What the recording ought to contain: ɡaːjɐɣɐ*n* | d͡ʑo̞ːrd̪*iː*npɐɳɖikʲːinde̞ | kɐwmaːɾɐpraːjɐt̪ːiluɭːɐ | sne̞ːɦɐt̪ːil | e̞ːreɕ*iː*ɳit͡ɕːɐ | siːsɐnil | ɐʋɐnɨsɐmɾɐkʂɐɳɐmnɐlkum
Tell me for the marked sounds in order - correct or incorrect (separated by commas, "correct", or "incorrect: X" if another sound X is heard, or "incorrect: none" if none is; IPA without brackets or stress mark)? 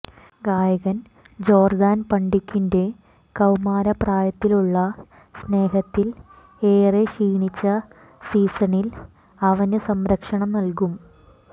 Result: correct, incorrect: aː, correct